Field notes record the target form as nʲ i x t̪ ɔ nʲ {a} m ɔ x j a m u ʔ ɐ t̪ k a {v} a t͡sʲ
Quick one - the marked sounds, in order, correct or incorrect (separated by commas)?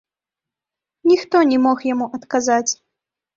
incorrect, incorrect